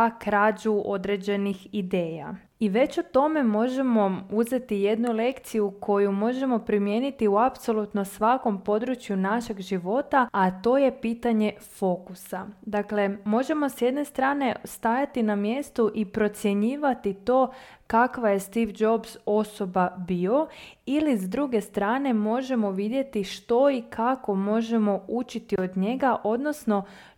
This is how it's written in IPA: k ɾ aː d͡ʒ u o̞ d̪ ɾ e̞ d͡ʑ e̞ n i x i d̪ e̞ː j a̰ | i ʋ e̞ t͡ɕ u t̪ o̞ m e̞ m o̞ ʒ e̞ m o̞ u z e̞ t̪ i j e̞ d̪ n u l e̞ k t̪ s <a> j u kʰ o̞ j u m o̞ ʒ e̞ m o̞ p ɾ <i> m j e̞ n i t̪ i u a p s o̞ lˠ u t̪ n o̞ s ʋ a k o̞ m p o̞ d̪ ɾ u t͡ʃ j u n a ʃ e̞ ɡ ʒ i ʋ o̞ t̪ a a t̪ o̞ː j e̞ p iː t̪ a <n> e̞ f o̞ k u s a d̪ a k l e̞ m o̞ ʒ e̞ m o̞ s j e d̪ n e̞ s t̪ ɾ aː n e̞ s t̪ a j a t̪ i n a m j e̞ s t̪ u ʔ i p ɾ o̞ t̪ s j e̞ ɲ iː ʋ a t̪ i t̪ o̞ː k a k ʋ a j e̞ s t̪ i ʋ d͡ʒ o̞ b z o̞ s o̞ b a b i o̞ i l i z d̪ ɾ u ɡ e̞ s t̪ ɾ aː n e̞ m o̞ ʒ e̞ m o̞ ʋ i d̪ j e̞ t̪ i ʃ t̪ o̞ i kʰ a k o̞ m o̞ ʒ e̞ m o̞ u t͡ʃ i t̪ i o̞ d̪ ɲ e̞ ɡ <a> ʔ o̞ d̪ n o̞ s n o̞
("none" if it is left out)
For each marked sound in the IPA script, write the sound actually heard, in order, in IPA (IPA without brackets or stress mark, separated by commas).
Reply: i, i, ɲ, a